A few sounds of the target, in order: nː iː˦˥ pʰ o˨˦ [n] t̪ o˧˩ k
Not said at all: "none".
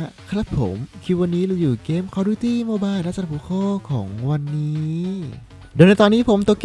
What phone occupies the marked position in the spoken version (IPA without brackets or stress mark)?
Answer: m